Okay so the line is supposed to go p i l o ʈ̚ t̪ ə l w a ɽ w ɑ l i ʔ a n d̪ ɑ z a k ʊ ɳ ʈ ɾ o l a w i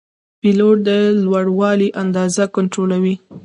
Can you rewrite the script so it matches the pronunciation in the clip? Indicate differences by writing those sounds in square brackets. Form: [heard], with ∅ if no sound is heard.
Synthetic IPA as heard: p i l o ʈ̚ [d̪] ə l w a ɽ w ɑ l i ʔ a n d̪ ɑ z a k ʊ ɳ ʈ ɾ o l a w i